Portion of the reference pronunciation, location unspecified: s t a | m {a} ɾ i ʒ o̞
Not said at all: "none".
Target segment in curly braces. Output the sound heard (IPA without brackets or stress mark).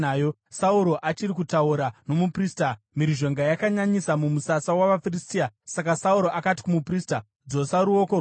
i